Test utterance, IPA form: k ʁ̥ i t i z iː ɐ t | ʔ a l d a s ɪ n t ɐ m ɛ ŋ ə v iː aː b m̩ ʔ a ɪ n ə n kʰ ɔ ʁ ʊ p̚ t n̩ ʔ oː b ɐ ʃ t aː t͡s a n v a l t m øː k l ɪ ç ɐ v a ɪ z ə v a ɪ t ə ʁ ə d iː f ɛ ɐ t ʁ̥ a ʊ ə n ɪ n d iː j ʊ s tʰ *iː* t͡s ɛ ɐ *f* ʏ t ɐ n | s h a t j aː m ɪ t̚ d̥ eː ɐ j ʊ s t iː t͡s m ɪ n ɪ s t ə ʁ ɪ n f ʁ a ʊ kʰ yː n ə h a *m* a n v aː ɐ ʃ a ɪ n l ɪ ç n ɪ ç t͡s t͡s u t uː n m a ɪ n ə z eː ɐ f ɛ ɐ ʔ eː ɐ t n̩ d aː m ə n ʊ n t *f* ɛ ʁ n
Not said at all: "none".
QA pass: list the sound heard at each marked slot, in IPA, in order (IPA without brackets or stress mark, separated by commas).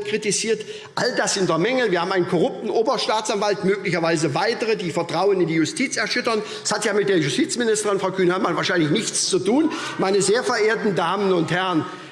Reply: iː, ʃ, m, h